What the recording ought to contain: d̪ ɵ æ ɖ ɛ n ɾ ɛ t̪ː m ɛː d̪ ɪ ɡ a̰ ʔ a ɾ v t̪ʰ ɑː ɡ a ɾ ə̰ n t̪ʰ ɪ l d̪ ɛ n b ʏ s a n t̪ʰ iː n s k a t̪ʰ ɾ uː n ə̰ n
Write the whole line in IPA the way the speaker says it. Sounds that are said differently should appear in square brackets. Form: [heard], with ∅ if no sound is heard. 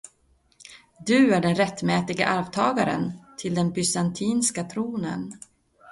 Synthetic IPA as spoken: d̪ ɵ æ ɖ ɛ n ɾ ɛ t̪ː m ɛː [t̪] ɪ ɡ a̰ ʔ a ɾ v t̪ʰ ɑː ɡ a ɾ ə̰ n t̪ʰ ɪ l d̪ ɛ n b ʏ s a n t̪ʰ iː n s k a t̪ʰ ɾ uː n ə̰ n